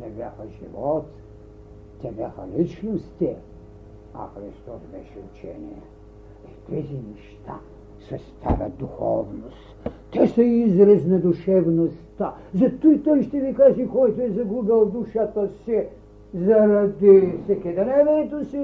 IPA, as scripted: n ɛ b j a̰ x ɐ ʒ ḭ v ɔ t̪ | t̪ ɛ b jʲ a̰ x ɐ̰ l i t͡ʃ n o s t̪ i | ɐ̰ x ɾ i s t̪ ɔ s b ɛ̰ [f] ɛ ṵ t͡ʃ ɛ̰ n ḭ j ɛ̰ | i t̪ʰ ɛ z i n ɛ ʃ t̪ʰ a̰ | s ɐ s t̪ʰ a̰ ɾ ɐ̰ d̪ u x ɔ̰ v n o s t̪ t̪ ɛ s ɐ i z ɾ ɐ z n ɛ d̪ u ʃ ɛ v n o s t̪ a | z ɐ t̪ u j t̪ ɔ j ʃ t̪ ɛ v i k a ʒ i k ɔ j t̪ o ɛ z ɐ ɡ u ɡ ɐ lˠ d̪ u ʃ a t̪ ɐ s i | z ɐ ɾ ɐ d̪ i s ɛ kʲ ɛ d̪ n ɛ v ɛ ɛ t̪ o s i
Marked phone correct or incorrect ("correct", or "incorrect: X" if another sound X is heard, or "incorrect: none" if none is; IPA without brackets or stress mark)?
incorrect: ʃ